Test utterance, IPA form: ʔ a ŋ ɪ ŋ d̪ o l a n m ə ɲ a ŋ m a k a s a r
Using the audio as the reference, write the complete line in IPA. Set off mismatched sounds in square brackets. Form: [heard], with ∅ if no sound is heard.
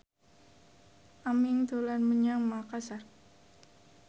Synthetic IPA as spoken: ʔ a [m] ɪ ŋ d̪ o l a n m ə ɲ a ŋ m a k a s a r